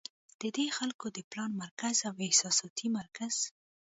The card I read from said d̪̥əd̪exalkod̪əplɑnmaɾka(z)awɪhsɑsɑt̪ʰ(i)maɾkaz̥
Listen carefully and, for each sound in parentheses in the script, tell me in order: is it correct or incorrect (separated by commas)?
correct, correct